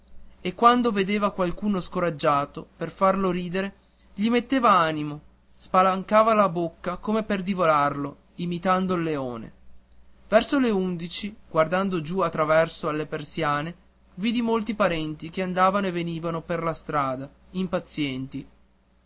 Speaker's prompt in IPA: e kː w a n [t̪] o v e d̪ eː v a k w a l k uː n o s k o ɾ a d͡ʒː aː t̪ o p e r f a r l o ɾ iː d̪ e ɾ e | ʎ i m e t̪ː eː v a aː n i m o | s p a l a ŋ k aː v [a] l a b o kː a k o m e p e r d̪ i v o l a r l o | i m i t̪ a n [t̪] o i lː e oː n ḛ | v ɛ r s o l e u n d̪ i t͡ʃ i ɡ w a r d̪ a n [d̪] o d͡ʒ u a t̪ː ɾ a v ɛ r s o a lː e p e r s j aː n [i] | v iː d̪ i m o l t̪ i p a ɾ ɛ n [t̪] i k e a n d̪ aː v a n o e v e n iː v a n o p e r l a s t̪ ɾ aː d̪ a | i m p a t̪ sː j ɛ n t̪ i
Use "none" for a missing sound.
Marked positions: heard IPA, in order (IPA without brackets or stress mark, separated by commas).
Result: d̪, a, d̪, d̪, e, t̪